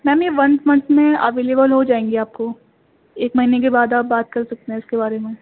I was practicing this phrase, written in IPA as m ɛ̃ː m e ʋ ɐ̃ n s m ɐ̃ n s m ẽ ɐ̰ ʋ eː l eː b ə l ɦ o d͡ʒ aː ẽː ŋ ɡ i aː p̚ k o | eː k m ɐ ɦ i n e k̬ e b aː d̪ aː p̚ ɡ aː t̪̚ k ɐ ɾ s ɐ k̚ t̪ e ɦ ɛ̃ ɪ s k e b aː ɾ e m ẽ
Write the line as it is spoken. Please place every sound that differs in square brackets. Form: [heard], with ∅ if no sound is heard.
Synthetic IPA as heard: m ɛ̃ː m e ʋ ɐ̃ n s m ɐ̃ n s m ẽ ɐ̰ ʋ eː l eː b ə l ɦ o d͡ʒ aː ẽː ŋ ɡ i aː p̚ k o | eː k m ɐ ɦ i n e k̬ e b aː d̪ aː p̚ [b] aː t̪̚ k ɐ ɾ s ɐ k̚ t̪ e ɦ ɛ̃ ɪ s k e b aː ɾ e m ẽ